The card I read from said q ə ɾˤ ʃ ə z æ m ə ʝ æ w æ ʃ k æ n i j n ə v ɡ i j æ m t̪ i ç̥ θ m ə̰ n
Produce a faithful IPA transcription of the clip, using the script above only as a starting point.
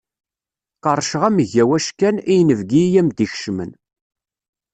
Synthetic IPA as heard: q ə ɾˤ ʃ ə ʁ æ m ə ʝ æ w æ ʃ k æ n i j n ə v ɡ i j æ m d̪ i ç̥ ʃ m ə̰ n